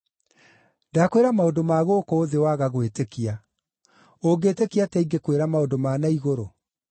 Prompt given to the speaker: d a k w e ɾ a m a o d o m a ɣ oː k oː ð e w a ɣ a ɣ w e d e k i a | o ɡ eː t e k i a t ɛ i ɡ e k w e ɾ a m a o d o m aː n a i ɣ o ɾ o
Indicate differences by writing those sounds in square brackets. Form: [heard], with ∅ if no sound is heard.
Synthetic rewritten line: d a k w e ɾ a m a o d o m a ɣ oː k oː ð e w a ɣ a ɣ w e [t] e k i a | o ɡ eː t e k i a t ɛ i ɡ e k w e ɾ a m a o d o m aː n a i ɣ o ɾ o